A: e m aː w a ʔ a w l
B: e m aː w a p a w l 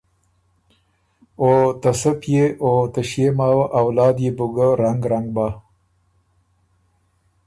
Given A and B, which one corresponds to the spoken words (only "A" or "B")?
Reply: A